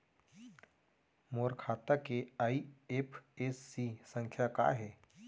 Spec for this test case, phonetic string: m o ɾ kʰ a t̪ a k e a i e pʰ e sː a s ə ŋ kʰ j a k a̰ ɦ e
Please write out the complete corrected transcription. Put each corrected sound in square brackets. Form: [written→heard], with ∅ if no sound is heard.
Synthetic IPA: m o ɾ kʰ a t̪ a k e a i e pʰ e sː [a→i] s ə ŋ kʰ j a k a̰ ɦ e